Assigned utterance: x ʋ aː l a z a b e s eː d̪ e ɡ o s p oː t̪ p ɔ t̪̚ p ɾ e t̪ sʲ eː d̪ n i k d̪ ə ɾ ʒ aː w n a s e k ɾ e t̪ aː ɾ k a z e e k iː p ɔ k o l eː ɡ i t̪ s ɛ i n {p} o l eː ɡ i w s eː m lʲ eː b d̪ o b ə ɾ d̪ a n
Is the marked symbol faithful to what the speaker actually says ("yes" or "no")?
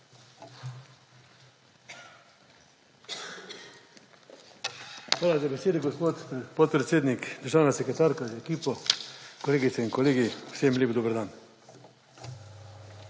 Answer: no